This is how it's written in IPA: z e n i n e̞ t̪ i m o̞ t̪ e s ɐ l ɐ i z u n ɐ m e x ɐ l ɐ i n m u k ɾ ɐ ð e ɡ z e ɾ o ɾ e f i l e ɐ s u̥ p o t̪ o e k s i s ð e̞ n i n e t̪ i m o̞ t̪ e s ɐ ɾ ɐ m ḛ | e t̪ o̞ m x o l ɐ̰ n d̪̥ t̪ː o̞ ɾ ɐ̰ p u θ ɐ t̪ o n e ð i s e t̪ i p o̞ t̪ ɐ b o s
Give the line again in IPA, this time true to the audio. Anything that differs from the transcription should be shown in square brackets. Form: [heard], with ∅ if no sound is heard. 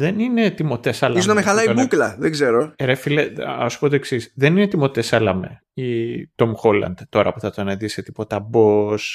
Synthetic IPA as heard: [ð] e n i n e̞ t̪ i m o̞ t̪ e s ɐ l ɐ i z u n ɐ m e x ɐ l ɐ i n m u k [l] ɐ ð e ɡ z e ɾ o ɾ e f i l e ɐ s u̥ p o t̪ o e k s i s ð e̞ n i n e t̪ i m o̞ t̪ e s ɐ [l] ɐ m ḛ | [i] t̪ o̞ m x o l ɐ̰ n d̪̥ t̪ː o̞ ɾ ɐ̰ p u θ ɐ t̪ o n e ð i s e t̪ i p o̞ t̪ ɐ b o s